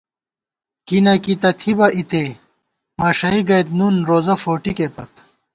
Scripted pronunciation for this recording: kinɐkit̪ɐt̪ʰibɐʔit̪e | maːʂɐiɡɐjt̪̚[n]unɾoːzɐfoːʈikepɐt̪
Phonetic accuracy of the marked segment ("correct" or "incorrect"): correct